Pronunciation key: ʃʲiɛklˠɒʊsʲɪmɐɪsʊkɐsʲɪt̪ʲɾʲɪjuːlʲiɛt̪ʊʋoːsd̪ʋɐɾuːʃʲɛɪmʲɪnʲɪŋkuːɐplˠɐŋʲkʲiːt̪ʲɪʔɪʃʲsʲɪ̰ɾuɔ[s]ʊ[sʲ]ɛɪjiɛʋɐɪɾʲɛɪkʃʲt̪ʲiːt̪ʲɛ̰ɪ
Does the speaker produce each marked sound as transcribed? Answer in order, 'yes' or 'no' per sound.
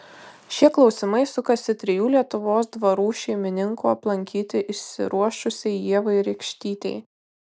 no, yes

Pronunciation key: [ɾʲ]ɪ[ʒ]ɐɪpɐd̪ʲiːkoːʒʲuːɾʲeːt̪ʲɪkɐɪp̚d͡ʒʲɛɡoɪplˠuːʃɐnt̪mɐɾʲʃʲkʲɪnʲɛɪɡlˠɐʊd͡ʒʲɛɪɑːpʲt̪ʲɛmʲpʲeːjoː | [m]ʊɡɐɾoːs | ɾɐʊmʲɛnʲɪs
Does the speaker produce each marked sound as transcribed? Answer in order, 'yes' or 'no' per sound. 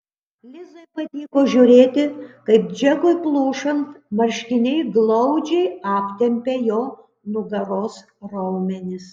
no, no, no

